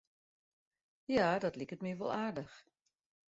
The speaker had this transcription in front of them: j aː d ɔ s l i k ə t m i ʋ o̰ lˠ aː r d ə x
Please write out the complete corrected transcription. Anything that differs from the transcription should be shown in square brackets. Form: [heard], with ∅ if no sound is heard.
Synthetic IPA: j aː d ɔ [t] l i k ə t m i ʋ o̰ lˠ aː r d ə x

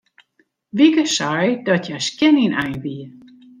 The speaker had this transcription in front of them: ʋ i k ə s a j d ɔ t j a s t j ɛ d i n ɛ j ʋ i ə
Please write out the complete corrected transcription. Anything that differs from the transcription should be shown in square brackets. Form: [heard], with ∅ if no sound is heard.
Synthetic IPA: ʋ i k ə s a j d ɔ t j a s [k] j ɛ [n] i n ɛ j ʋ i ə

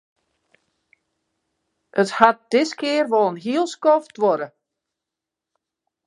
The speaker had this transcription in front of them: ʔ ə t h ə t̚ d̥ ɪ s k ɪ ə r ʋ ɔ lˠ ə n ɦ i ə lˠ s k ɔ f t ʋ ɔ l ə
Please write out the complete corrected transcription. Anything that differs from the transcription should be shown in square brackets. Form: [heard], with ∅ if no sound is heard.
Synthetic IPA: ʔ ə t h [a] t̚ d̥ ɪ s k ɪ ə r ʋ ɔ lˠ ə n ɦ i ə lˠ s k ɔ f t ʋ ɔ [ɾ] ə

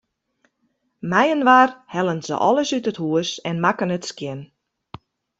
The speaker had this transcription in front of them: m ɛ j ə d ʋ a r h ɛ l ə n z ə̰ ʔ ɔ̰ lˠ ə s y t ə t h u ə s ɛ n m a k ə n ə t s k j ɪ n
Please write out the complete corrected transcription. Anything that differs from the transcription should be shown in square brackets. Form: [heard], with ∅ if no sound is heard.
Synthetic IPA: m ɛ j ə [n] ʋ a r h ɛ l ə n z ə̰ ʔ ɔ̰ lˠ ə s y t ə t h u ə s ɛ n m a k ə n ə t s k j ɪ n

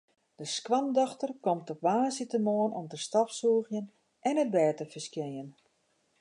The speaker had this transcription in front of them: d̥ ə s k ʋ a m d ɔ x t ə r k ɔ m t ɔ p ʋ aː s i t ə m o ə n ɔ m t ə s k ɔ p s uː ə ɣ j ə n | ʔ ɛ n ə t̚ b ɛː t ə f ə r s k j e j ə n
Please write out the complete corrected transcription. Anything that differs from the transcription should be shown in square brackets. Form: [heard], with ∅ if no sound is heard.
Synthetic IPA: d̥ ə s k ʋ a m d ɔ x t ə r k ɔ m t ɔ p ʋ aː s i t ə m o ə n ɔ m t ə s [t] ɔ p s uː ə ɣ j ə n | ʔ ɛ n ə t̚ b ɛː t ə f ə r s k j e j ə n

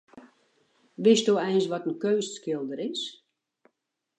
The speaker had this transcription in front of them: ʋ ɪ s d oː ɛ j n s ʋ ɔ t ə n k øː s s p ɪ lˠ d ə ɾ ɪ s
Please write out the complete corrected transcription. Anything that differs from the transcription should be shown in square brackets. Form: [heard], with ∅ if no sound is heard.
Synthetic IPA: ʋ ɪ s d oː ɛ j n s ʋ ɔ t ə n k øː s s [k] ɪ lˠ d ə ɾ ɪ s

